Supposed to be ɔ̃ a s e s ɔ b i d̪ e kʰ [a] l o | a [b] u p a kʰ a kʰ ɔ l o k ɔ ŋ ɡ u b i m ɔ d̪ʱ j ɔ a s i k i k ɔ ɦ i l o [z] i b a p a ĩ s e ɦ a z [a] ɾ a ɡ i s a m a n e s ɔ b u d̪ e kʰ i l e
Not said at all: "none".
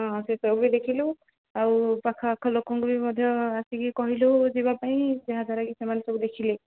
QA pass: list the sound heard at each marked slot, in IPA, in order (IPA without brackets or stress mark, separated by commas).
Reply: i, none, z, a